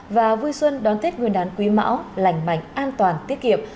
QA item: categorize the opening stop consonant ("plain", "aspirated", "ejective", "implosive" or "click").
implosive